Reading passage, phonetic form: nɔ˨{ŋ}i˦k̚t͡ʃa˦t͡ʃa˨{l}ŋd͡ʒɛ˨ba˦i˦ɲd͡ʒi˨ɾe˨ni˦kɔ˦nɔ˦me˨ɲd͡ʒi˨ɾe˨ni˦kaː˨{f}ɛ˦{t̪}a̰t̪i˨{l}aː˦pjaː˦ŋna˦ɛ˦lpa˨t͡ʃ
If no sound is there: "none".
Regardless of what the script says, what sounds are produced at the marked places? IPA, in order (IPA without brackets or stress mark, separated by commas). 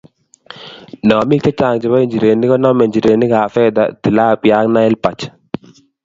m, none, f, d̪, l